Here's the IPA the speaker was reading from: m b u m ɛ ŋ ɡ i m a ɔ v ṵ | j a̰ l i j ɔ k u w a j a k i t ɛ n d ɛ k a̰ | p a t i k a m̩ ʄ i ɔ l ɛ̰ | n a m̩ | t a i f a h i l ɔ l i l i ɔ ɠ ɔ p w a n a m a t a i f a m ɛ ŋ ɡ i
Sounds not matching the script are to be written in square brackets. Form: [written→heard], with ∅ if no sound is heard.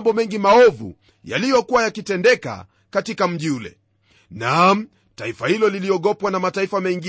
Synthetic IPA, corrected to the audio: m b [u→ɔ] m ɛ ŋ ɡ i m a ɔ v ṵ | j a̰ l i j ɔ k u w a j a k i t ɛ n d ɛ k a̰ | [p→k] a t i k a m̩ ʄ i [ɔ→u] l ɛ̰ | n a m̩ | t a i f a h i l ɔ l i l i ɔ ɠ ɔ p w a n a m a t a i f a m ɛ ŋ ɡ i